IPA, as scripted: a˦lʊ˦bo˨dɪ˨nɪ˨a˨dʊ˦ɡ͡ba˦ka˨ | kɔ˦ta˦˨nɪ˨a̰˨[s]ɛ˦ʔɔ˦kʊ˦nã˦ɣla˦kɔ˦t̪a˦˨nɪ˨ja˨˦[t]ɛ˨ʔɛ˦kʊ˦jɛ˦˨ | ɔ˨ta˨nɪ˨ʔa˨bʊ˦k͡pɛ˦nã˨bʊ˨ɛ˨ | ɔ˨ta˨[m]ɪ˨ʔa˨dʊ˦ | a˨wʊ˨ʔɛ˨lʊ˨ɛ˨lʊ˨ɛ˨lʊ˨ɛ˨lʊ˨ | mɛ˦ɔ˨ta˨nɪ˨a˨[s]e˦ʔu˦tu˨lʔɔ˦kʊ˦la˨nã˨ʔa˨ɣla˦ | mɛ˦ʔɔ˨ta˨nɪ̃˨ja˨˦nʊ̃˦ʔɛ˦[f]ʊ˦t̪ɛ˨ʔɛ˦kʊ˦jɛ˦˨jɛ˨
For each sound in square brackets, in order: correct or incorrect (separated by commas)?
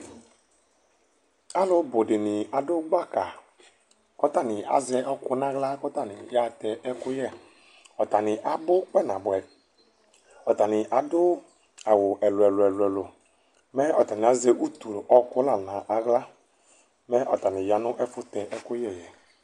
incorrect, correct, incorrect, incorrect, correct